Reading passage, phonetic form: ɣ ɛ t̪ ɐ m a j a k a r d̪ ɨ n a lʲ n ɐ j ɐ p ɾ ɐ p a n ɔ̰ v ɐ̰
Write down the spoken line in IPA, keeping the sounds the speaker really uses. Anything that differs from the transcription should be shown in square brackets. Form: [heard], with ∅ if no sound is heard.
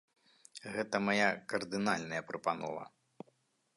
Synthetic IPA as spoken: ɣ ɛ t̪ ɐ m a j a k [ɐ] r d̪ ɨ n a lʲ n ɐ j ɐ p ɾ ɐ p a n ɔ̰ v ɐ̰